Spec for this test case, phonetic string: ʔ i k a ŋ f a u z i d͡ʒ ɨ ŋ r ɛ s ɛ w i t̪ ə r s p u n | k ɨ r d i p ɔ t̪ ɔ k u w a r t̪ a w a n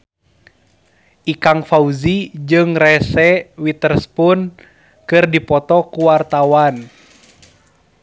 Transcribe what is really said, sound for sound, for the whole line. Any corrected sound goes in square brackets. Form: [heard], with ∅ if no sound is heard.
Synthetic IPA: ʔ i k a ŋ f a u z i d͡ʒ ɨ ŋ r ɛ s ɛ w i t̪ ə r s p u n | k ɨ r d i p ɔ t̪ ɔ k u w a r t̪ a w a n